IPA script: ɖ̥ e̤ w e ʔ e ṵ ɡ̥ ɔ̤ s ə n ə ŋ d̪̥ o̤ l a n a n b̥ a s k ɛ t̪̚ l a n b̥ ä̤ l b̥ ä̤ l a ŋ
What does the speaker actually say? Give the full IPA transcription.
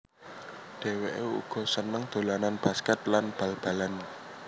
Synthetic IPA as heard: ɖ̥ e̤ w e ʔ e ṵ ɡ̥ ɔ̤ s ə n ə ŋ d̪̥ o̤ l a n a n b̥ a s k ɛ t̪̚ l a n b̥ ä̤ l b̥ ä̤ l a n